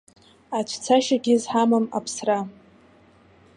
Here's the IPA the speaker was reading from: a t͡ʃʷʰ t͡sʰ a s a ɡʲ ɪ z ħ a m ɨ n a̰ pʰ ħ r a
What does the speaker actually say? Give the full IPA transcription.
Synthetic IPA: a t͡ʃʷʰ t͡sʰ a ʃ a ɡʲ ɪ z ħ a m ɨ m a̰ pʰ s r a

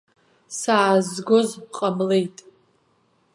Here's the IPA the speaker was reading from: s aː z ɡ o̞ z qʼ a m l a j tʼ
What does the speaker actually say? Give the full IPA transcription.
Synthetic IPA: s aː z ɡ o̞ z qʼ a m l e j tʼ

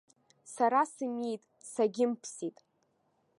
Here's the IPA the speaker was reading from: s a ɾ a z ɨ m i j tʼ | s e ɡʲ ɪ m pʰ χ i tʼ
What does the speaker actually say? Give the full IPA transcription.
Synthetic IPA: s a ɾ a s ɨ m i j tʼ | s a ɡʲ ɪ m pʰ s i tʼ

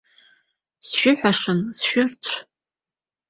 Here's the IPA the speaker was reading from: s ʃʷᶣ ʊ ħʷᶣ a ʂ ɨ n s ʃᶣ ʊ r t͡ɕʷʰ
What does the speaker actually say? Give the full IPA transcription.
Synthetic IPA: s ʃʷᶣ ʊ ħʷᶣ a ʂ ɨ n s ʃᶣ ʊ r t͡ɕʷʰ

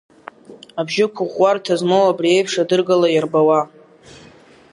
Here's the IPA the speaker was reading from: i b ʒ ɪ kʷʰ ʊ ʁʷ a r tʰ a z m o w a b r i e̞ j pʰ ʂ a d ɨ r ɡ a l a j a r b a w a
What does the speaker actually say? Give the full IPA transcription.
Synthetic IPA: a b ʒ ɪ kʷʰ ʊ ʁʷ a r tʰ a z m o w a b r i e̞ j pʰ ʂ a d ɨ r ɡ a l a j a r b a w a

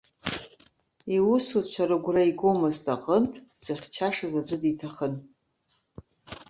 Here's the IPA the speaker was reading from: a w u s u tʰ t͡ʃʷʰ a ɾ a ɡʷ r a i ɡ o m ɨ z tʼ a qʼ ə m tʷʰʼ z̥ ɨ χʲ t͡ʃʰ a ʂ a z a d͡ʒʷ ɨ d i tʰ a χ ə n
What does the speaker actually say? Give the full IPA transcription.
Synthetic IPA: i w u s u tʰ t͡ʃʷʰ a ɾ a ɡʷ r a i ɡ o m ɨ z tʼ a qʼ ə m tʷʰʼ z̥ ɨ χʲ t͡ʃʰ a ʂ a z a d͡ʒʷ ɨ d i tʰ a χ ə n

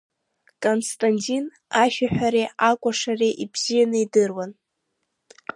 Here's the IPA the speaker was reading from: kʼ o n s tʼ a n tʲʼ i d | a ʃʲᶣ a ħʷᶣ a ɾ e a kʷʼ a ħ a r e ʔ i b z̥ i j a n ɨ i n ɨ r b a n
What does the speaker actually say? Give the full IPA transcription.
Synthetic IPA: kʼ o n s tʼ a n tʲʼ i n | a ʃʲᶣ a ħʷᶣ a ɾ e a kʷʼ a ʂ a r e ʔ i b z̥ i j a n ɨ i d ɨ r w a n

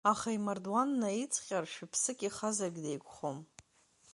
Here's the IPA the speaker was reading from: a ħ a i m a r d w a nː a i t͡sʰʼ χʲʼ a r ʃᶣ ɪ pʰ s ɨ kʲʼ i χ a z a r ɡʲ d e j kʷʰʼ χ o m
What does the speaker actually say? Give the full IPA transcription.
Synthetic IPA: a χ a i m a r d w a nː a i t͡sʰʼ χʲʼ a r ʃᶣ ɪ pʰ s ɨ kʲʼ i χ a z a r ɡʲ d e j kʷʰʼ χ o m

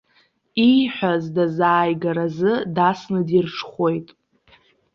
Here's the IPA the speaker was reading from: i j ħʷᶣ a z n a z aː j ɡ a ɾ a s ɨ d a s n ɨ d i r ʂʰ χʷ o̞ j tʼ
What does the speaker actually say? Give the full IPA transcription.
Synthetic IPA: i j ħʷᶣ a z d a z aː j ɡ a ɾ a z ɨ d a s n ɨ d i r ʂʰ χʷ o̞ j tʼ

